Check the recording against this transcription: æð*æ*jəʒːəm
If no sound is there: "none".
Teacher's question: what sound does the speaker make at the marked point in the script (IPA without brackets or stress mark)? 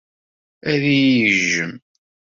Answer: i